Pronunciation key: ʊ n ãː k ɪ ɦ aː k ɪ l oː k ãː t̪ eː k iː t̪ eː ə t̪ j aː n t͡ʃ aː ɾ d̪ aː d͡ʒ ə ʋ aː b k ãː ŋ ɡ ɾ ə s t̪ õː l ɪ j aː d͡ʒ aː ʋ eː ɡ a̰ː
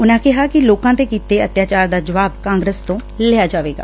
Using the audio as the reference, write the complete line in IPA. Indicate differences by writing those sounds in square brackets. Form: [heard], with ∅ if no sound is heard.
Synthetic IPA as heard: ʊ n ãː k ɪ ɦ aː k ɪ l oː k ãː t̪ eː k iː t̪ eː ə t̪ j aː [∅] t͡ʃ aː ɾ d̪ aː d͡ʒ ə ʋ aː b k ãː ŋ ɡ ɾ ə s t̪ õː l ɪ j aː d͡ʒ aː ʋ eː ɡ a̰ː